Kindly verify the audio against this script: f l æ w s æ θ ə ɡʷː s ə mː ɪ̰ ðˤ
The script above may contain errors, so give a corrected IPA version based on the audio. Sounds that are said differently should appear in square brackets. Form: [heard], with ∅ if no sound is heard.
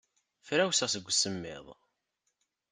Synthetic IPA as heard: f [ɾ] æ w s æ [s] ə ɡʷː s ə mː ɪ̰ ðˤ